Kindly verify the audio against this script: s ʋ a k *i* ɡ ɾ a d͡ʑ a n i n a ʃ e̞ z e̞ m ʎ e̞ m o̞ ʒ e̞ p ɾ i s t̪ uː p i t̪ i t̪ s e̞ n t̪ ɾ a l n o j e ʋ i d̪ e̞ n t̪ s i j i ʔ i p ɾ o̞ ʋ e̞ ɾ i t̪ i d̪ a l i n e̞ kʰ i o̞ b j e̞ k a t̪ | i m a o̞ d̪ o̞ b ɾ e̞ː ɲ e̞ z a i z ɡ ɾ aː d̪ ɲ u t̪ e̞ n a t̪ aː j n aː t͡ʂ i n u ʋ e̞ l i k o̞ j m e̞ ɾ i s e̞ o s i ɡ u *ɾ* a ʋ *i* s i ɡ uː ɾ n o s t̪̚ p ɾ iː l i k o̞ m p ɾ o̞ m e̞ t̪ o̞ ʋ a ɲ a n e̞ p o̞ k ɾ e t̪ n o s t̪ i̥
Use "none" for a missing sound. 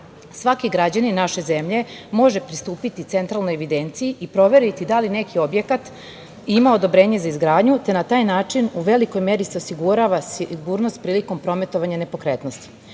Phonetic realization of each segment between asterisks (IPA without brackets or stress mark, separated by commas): i, ɾ, a